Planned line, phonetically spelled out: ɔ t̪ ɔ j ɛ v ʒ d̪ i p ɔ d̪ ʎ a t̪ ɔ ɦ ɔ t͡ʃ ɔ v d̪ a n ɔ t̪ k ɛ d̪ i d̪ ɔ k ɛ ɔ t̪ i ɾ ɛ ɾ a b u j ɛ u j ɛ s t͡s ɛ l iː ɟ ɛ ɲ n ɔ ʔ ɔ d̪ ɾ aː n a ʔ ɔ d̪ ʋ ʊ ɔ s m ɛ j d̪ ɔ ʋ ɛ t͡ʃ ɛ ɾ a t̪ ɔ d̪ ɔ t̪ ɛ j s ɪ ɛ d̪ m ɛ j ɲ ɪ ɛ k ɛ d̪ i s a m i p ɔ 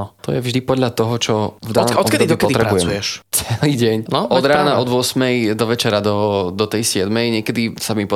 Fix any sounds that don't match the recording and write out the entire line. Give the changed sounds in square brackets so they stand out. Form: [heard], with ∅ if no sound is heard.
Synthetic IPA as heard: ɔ t̪ ɔ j ɛ v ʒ d̪ i p ɔ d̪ ʎ a t̪ ɔ ɦ ɔ t͡ʃ ɔ v d̪ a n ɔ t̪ k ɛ d̪ i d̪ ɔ k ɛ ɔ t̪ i ɾ ɛ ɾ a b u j ɛ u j ɛ [ʃ] t͡s ɛ l iː ɟ ɛ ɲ n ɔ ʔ ɔ d̪ ɾ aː n a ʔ ɔ d̪ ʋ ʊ ɔ s m ɛ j d̪ ɔ ʋ ɛ t͡ʃ ɛ ɾ a [d̪] ɔ d̪ ɔ t̪ ɛ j s ɪ ɛ d̪ m ɛ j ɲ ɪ ɛ k ɛ d̪ i s a m i p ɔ